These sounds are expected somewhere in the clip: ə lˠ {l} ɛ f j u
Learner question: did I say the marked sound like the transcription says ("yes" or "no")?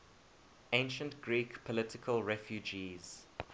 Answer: no